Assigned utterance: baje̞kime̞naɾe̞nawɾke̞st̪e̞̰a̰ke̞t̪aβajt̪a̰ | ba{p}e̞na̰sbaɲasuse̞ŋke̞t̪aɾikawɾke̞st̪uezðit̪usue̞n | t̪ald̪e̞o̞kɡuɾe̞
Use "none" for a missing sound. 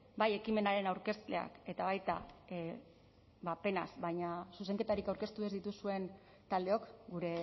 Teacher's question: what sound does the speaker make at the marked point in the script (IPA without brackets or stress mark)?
p